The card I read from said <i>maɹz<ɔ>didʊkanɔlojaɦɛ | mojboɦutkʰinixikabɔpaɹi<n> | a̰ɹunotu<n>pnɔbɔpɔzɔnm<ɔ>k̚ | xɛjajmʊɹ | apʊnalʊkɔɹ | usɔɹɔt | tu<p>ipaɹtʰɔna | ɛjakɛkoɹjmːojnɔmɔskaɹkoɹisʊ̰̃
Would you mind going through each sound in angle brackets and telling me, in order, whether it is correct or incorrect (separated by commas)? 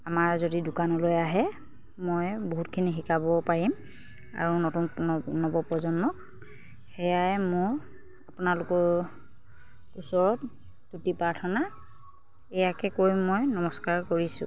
incorrect, incorrect, incorrect, correct, correct, incorrect